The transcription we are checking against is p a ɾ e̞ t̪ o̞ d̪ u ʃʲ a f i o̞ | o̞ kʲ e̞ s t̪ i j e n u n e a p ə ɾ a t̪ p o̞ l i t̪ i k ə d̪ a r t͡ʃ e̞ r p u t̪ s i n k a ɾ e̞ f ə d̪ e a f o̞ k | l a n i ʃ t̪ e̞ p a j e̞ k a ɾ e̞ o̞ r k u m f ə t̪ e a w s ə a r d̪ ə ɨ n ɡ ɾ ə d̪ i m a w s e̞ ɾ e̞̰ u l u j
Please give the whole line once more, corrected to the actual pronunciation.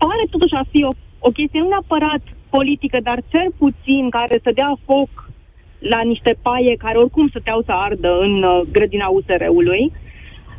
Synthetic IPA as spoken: p a ɾ e̞ t̪ o̞ t̪ u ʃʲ a f i o̞ | o̞ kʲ e̞ s t̪ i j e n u n e a p ə ɾ a t̪ p o̞ l i t̪ i k ə d̪ a r t͡ʃ e̞ r p u t̪ s i n k a ɾ e̞ s ə d̪ e a f o̞ k | l a n i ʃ t̪ e̞ p a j e̞ k a ɾ e̞ o̞ r k u m s ə t̪ e a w s ə a r d̪ ə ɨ n ɡ ɾ ə d̪ i n a u s e̞ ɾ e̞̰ u l u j